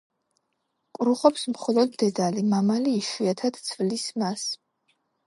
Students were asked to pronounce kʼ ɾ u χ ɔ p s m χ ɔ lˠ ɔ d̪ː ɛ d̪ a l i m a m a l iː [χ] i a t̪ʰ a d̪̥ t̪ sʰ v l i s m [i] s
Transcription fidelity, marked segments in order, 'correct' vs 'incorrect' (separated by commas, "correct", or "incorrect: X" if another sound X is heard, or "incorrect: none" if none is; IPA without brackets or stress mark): incorrect: ʃ, incorrect: a